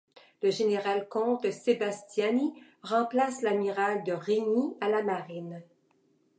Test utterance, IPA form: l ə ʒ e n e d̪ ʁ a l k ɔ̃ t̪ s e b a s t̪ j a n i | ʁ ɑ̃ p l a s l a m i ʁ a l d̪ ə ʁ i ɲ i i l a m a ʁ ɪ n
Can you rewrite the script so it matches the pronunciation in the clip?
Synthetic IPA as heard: l ə ʒ e n e ʁ a l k ɔ̃ t̪ s e b a s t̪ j a n i | ʁ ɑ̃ p l a s l a m i ʁ a l d̪ ə ʁ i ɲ i a l a m a ʁ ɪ n